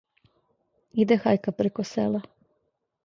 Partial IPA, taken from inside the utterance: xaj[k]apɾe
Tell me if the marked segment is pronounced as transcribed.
yes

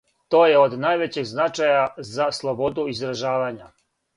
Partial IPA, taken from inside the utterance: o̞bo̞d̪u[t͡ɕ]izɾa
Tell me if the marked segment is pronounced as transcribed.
no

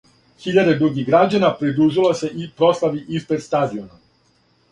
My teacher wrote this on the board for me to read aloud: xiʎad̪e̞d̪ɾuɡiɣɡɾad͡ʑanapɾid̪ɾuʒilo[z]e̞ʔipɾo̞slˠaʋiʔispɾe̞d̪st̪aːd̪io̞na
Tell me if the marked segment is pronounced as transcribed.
no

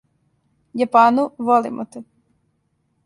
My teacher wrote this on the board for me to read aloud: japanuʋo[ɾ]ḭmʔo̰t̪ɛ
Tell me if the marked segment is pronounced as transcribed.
no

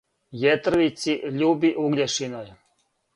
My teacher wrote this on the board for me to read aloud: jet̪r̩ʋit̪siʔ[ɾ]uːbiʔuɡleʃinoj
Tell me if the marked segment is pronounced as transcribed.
no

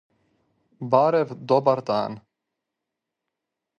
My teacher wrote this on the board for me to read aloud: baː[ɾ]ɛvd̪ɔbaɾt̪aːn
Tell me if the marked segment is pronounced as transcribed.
yes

